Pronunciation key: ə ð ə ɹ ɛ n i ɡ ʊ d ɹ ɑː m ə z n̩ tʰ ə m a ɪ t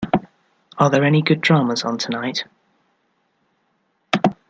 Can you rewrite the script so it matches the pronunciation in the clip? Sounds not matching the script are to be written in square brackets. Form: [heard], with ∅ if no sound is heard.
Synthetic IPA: ə ð ə ɹ ɛ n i ɡ ʊ d ɹ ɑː m ə z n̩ tʰ ə [n] a ɪ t